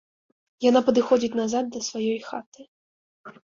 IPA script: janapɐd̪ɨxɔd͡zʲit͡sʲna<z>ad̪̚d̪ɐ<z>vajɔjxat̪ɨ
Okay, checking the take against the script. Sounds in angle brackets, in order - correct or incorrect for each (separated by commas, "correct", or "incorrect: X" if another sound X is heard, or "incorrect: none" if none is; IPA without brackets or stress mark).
correct, incorrect: s